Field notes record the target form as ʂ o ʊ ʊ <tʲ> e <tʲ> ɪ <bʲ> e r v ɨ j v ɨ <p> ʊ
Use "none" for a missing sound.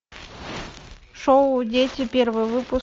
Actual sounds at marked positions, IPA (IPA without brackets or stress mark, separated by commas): dʲ, tʲ, pʲ, p